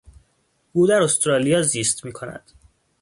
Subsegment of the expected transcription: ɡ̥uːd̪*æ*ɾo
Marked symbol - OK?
yes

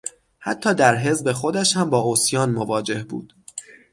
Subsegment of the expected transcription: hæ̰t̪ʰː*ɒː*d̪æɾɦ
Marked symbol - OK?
yes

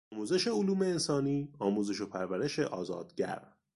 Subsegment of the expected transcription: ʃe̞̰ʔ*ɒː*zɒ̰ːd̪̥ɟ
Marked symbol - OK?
yes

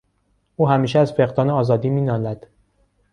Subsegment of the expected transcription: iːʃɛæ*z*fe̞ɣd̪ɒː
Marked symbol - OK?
yes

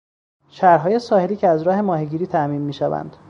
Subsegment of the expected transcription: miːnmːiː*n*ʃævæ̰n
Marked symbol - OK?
no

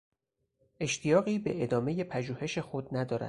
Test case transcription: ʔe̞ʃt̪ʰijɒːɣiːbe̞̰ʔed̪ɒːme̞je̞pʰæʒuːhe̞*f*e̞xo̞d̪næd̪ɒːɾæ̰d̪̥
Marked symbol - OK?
no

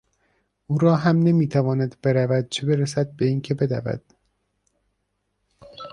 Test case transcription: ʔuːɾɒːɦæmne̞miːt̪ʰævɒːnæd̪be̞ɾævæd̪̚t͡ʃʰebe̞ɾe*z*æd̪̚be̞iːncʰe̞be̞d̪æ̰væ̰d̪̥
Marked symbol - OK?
no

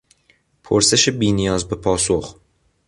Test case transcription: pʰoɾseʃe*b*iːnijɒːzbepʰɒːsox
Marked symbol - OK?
yes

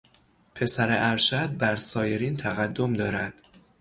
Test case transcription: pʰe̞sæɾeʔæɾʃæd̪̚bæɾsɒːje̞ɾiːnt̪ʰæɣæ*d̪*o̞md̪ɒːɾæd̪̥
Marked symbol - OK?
no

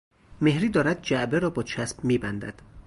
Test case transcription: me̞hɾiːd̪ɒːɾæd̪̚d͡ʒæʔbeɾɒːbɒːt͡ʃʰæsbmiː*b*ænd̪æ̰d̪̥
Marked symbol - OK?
yes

